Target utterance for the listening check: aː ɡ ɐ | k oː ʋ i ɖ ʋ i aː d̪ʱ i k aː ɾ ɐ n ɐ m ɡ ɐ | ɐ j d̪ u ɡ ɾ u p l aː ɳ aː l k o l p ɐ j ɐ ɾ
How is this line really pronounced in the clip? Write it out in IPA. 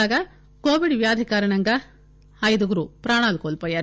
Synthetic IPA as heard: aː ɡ ɐ | k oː ʋ i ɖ ʋ j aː d̪ʱ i k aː ɾ ɐ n ɐ ŋ ɡ ɐ | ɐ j d̪ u ɡ ɾ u p ɾ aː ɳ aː l k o l p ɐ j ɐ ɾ